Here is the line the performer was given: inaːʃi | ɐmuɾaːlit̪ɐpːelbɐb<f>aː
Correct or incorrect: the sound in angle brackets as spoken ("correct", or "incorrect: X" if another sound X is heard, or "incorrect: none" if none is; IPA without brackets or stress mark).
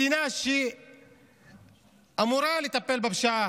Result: incorrect: ʃ